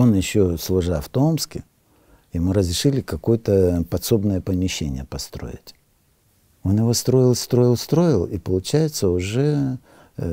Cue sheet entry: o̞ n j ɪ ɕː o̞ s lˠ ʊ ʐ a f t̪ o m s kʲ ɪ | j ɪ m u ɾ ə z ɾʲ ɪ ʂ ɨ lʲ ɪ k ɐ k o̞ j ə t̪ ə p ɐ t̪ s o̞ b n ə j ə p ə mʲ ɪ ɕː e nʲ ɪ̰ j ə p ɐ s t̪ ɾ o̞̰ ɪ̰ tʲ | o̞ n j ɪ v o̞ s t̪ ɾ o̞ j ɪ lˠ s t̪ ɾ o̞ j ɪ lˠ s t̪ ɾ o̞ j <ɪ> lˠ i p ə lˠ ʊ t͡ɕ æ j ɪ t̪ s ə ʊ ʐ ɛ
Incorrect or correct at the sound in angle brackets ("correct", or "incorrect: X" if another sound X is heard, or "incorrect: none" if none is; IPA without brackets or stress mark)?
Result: correct